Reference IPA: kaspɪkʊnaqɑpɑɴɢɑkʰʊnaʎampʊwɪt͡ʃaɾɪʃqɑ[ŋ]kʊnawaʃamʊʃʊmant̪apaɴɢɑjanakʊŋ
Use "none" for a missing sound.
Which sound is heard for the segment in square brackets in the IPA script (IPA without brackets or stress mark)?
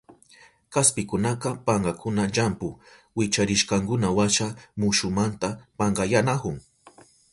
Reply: ŋ